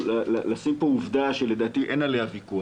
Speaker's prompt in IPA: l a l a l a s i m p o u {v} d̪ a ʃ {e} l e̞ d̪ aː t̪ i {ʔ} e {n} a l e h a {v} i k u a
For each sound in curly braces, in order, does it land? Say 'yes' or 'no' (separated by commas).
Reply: yes, yes, yes, yes, yes